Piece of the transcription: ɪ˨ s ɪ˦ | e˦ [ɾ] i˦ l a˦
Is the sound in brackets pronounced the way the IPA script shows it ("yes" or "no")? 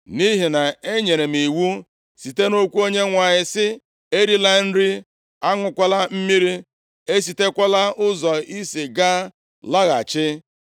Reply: yes